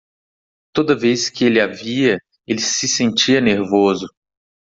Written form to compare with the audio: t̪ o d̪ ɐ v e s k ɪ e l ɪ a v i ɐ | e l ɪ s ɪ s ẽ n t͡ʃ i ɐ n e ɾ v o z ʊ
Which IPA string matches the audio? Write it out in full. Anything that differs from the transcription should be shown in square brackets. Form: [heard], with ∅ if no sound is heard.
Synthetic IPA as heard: t̪ o d̪ ɐ v e s k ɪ e l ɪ a v i ɐ | e l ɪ s ɪ s ẽ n t͡ʃ i ɐ n e ɾ v o z ʊ